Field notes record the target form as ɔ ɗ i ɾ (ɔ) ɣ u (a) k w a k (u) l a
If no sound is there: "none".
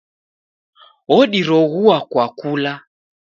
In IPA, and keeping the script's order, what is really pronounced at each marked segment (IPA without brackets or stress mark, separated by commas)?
ɔ, a, u